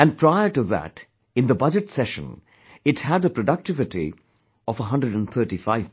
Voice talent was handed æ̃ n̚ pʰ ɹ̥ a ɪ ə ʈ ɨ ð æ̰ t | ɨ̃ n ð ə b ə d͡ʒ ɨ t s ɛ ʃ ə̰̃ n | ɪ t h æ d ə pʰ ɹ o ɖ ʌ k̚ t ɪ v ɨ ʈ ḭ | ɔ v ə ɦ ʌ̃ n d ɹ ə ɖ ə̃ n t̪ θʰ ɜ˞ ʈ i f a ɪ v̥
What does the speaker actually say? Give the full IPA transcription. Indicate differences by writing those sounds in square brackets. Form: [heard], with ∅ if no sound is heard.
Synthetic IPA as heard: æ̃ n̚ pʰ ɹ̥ a ɪ ə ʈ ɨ ð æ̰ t | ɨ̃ n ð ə b [ʌ] d͡ʒ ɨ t s ɛ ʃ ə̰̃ n | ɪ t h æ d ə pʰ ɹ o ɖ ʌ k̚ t ɪ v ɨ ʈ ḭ | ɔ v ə ɦ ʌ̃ n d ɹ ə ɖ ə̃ n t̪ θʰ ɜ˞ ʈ i f a ɪ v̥